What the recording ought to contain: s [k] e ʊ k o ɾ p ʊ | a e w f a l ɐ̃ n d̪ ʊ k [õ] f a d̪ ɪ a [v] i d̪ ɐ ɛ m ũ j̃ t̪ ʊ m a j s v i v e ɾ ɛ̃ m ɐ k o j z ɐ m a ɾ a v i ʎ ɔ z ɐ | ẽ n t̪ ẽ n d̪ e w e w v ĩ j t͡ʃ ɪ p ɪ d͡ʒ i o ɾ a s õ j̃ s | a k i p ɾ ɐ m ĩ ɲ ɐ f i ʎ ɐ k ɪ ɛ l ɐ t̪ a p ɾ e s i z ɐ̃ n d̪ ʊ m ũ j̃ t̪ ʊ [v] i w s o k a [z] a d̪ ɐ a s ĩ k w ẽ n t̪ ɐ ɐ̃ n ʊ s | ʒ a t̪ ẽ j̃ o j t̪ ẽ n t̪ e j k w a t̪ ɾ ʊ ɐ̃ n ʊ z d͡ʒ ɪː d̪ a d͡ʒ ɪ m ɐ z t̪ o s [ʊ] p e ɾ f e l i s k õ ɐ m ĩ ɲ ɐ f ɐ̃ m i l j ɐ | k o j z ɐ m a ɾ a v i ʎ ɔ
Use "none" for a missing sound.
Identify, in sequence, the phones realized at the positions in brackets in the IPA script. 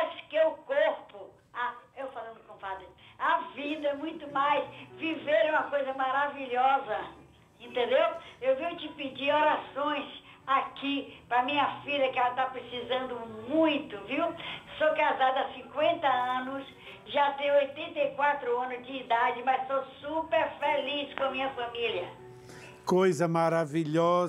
k, õ, v, v, z, u

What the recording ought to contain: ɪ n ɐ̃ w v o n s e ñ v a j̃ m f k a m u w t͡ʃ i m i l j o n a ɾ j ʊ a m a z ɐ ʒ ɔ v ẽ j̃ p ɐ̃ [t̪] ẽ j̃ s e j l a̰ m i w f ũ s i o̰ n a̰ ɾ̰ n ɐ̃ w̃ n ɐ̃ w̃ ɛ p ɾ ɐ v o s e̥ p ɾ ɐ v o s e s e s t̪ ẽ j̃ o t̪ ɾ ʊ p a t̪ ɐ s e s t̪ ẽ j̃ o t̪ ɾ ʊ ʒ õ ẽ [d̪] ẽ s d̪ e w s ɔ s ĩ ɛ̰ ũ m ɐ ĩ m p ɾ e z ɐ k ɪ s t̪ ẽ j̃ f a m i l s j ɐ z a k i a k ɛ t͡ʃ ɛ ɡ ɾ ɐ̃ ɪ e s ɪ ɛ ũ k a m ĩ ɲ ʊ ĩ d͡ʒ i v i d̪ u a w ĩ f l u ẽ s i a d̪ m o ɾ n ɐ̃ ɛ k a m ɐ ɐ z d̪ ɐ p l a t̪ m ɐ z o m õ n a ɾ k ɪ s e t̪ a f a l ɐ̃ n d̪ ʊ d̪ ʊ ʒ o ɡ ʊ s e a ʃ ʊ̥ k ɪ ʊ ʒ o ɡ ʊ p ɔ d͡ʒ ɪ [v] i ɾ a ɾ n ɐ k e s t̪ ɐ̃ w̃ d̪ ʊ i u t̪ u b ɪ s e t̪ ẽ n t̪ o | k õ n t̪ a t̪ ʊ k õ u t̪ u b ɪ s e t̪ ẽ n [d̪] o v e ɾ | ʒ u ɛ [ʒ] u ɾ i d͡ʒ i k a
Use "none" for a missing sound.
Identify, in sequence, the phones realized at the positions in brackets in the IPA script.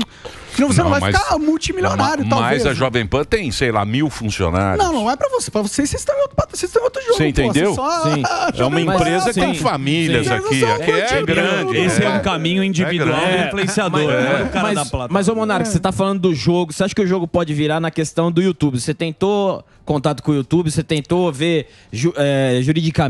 t̪, t̪, v, t̪, ʒ

